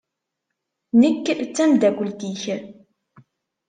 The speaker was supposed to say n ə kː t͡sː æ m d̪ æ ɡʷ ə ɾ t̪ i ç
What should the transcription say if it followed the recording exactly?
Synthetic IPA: n ə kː t͡sː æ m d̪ æ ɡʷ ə l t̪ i ç